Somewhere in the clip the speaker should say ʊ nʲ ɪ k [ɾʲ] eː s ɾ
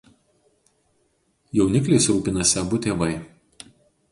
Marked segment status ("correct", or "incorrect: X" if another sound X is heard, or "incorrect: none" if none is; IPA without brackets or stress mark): incorrect: lʲ